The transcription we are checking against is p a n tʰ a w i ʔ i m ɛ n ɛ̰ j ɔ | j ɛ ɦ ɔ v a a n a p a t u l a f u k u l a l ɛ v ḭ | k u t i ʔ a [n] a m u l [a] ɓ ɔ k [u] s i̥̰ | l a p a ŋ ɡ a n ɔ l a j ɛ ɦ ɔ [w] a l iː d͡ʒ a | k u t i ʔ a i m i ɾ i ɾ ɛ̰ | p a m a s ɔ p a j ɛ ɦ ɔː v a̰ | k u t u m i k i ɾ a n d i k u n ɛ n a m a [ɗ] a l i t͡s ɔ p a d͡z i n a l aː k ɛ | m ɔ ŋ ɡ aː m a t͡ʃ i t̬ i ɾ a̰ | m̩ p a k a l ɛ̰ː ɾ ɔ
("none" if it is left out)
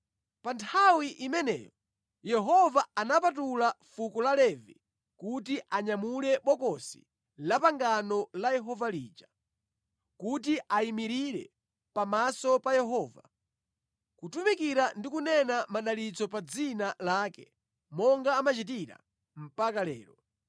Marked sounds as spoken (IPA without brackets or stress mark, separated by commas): ɲ, ɛ, ɔ, v, ɗ